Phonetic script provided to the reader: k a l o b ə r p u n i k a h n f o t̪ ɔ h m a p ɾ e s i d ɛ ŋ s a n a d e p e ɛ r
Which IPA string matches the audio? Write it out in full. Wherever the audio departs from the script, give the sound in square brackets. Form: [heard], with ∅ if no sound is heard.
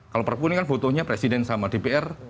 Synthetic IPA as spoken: k a l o [p] ə r p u n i k a [∅] n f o t̪ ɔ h [ɲ] a p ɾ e s i d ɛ [n] s a [m] a d e p e ɛ r

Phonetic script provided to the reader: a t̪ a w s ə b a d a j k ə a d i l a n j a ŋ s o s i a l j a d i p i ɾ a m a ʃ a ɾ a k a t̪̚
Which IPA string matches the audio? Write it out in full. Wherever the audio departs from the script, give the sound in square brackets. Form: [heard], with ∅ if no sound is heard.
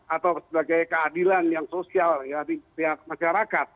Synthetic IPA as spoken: a t̪ a w s ə b a [ɡ] a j k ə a d i l a n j a ŋ s o s i a l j a d i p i [∅] a m a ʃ a ɾ a k a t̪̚

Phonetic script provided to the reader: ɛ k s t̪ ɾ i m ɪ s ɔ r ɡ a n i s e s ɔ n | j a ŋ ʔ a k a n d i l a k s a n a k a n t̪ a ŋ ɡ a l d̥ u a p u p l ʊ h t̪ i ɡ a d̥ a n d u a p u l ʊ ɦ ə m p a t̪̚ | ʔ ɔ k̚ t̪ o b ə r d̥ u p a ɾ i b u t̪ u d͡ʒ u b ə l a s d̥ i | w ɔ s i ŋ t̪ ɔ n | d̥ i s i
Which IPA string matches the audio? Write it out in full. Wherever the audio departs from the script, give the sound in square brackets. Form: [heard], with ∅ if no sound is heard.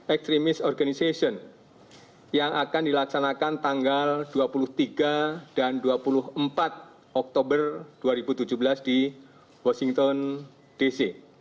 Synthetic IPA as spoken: ɛ k s t̪ ɾ i m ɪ s ɔ r ɡ a n i s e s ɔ n | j a ŋ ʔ a k a n d i l a k s a n a k a n t̪ a ŋ ɡ a l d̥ u a p u [∅] l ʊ h t̪ i ɡ a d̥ a n d u a p u l ʊ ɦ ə m p a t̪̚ | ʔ ɔ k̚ t̪ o b ə r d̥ u [∅] a ɾ i b u t̪ u d͡ʒ u b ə l a s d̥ i | w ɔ s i ŋ t̪ ɔ n | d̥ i s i

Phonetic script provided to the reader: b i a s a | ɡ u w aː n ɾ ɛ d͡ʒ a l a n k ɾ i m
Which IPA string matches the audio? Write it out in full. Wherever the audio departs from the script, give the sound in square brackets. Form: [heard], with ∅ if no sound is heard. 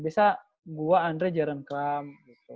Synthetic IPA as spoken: b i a s a | ɡ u w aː n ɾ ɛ d͡ʒ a [ɾ] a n k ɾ [a] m

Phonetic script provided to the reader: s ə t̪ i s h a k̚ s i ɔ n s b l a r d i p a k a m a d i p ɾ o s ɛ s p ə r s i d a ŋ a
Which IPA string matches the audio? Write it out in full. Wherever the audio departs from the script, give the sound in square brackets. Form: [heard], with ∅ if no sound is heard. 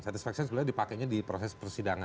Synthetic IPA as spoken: s [a] t̪ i s [f] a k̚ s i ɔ n s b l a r d i p a k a [ɲ] a d i p ɾ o s ɛ s p ə r s i d a ŋ a

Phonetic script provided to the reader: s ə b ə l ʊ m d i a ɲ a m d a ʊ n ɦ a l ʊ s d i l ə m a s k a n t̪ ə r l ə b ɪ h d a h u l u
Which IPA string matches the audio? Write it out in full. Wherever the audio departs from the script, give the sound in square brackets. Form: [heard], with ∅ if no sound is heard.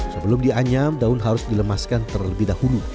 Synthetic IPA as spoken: s ə b ə l ʊ m d i a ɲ a m d a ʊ n ɦ a [ɾ] ʊ s d i l ə m a s k a n t̪ ə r l ə b ɪ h d a h u l u

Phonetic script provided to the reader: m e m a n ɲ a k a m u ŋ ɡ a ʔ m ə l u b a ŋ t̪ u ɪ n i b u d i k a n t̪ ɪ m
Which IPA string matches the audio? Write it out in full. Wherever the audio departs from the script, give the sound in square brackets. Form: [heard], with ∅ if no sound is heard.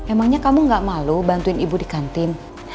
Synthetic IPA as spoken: m e m a [ŋ] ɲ a k a m u ŋ ɡ a ʔ m [a] l u b a [n] t̪ u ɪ n i b u d i k a n t̪ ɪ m

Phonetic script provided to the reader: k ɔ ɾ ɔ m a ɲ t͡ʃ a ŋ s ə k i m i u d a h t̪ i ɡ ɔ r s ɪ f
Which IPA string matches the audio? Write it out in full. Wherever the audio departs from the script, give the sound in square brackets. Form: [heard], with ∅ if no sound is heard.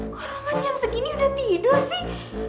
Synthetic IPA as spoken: k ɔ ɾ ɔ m a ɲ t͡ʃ a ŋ s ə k i [n] i u d a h t̪ i [d] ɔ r s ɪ [h]

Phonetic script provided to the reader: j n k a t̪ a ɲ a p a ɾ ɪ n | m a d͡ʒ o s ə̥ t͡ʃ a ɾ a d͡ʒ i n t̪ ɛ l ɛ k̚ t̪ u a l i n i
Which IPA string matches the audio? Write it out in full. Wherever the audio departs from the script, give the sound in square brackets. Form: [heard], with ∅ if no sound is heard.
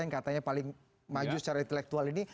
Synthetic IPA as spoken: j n k a t̪ a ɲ a p a [l] ɪ [ŋ] | m a d͡ʒ [u] s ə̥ t͡ʃ a ɾ a [∅] i n t̪ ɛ l ɛ k̚ t̪ u a l i n i

